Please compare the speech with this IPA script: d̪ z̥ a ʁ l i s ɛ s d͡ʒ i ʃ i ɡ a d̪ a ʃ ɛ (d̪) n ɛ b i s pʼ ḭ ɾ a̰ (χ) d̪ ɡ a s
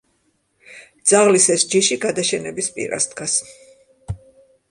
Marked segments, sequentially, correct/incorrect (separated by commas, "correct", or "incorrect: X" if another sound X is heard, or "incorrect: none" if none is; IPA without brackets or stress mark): incorrect: none, incorrect: s